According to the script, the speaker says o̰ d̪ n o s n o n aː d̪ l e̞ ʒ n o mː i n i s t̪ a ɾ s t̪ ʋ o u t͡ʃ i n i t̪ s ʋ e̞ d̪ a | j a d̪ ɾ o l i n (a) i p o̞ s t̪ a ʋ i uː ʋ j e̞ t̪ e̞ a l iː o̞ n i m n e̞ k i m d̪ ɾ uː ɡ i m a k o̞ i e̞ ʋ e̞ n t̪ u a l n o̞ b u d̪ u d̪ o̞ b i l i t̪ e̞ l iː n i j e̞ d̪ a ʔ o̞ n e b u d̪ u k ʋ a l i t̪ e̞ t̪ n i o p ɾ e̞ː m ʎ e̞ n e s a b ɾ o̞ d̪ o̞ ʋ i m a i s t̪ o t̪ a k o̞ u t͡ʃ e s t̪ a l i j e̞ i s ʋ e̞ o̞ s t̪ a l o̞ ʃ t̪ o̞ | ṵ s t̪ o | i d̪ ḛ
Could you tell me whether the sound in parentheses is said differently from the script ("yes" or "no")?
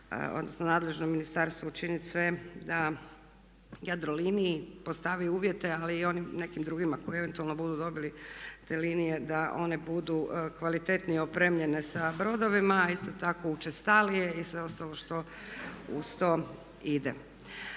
yes